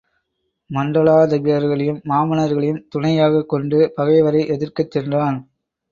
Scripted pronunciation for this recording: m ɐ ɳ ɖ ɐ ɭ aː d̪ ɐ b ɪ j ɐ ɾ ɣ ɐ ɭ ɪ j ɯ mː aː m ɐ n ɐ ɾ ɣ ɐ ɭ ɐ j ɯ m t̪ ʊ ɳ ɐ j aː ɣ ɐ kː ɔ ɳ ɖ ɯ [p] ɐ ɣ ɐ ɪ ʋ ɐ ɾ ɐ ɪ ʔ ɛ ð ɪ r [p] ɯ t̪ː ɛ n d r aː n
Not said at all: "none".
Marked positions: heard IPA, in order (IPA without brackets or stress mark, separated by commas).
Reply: p, k